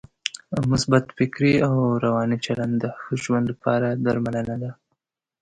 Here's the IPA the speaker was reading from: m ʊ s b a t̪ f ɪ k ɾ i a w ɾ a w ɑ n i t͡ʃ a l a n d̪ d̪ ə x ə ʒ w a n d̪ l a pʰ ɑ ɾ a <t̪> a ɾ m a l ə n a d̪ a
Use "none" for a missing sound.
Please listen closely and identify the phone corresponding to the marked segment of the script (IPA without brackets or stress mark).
d̪